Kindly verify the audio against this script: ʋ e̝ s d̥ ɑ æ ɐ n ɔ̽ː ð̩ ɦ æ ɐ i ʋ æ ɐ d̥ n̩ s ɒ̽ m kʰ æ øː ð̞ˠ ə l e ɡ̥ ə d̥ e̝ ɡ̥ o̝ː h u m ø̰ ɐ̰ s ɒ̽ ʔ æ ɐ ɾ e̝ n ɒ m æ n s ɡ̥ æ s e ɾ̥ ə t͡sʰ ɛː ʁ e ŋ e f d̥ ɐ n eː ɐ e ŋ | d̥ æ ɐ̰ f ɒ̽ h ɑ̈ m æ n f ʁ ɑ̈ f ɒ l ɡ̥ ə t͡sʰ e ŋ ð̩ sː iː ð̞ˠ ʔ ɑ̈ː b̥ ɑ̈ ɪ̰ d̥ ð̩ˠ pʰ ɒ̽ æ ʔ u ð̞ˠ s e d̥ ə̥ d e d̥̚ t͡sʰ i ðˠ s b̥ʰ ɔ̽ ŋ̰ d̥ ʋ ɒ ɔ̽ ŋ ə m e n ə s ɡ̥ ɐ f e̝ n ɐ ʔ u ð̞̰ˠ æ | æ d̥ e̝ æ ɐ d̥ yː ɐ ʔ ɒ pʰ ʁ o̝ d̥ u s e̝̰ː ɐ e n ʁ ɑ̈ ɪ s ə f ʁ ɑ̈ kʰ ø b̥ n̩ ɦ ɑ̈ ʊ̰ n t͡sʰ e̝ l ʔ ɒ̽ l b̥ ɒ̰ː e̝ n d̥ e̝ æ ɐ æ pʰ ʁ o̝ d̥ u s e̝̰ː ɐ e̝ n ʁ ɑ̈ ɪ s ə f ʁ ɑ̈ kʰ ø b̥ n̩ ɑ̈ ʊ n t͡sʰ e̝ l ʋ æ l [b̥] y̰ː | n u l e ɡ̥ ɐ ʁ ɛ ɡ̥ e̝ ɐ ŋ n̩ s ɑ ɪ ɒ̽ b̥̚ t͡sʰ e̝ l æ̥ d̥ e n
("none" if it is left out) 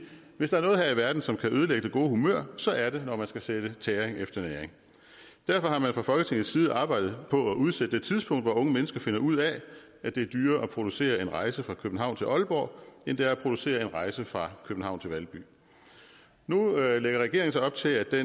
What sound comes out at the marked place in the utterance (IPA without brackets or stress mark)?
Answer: b̥